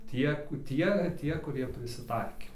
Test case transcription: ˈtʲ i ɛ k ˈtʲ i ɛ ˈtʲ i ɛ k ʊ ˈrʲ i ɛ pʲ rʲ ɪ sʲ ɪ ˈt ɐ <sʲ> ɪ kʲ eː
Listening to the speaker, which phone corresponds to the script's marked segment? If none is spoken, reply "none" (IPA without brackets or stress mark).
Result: none